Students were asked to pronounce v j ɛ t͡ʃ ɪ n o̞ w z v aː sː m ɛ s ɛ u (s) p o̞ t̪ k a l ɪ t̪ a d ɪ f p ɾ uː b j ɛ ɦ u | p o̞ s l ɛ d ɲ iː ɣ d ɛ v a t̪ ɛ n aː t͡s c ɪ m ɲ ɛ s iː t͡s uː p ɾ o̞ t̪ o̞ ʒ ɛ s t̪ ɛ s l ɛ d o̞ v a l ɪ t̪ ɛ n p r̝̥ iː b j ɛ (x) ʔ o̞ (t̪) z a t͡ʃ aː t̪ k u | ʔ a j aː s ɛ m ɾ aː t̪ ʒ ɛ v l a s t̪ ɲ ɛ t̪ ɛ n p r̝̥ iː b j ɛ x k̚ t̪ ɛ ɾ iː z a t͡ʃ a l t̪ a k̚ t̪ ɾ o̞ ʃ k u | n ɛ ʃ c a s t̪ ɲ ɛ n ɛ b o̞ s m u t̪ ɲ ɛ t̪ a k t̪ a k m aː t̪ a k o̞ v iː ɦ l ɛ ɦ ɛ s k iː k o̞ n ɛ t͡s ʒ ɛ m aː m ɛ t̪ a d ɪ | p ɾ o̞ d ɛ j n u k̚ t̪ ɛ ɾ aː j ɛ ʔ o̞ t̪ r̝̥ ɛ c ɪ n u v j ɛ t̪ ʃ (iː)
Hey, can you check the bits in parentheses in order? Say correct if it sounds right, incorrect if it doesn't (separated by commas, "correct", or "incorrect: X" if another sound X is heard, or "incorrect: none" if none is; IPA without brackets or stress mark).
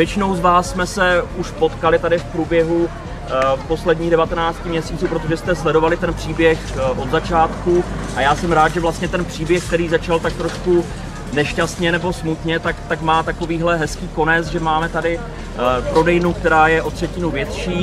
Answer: incorrect: ʃ, correct, incorrect: d̪, correct